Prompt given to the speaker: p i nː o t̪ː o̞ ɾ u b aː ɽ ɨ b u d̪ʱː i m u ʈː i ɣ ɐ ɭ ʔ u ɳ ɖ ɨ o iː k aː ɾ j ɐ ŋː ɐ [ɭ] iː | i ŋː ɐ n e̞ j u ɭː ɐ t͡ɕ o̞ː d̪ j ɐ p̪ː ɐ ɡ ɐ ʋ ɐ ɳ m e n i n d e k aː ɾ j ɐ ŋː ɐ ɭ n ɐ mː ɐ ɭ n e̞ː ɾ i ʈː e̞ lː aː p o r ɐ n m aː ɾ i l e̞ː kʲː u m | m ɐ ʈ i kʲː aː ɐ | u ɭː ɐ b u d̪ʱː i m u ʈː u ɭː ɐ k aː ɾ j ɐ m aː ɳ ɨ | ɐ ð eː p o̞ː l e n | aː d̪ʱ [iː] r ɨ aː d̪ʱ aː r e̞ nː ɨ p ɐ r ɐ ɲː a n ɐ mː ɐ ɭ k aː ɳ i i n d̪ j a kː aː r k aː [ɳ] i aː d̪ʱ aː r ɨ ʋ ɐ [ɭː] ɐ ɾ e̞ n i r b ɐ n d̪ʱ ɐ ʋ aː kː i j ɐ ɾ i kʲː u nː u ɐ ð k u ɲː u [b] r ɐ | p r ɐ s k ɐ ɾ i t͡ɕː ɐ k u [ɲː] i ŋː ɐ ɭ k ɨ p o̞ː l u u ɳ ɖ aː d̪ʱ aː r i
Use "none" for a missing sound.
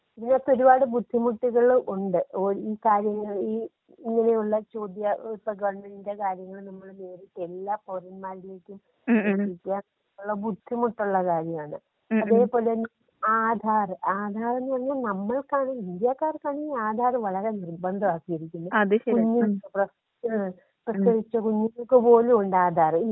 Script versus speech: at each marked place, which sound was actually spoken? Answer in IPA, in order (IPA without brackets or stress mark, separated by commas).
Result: ɭ, aː, ɳ, ɭ, p, ɲː